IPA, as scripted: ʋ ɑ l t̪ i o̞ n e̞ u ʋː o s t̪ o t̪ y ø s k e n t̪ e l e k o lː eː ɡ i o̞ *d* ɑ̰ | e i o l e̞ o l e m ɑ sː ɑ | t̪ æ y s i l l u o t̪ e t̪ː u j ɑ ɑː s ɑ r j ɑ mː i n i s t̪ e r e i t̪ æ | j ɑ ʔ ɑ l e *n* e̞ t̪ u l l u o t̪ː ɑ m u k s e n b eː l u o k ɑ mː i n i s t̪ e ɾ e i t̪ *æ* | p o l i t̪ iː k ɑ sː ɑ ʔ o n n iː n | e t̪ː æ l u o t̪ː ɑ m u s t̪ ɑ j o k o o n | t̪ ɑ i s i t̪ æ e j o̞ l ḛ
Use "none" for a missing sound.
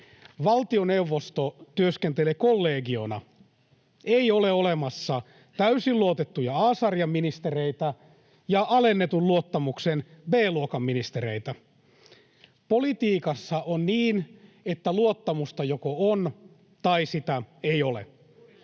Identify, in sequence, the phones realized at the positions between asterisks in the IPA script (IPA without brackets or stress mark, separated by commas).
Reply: n, nː, æ